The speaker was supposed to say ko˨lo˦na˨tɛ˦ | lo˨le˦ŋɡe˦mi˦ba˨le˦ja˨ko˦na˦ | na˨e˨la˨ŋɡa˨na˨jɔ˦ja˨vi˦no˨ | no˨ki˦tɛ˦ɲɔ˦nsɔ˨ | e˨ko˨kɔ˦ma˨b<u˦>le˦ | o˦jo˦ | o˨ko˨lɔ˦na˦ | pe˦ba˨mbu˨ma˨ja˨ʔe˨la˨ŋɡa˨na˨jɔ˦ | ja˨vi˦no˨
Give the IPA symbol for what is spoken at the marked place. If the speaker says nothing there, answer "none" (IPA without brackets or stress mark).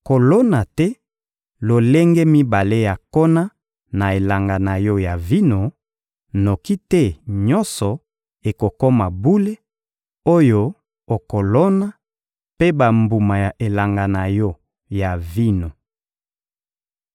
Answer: u˦